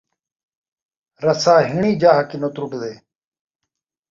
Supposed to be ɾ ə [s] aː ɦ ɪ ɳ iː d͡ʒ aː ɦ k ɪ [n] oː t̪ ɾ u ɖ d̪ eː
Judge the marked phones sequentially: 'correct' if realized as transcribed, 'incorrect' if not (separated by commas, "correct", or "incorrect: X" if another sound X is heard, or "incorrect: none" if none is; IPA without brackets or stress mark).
correct, correct